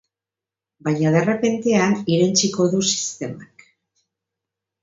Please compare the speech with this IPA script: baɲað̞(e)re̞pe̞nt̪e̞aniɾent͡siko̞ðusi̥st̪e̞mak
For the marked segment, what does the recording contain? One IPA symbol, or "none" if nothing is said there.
e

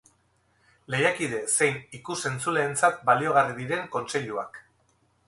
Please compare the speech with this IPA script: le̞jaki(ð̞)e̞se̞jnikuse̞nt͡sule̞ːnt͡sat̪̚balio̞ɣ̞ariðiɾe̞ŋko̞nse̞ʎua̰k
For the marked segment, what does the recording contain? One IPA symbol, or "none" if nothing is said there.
ð̞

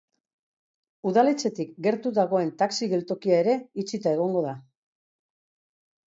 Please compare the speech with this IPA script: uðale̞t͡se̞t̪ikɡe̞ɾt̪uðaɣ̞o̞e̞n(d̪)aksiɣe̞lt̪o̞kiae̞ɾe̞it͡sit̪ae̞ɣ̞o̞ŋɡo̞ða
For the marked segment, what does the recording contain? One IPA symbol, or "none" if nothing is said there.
t̪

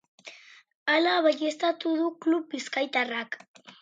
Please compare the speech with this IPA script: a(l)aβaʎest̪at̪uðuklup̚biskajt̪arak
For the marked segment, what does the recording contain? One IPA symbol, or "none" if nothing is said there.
l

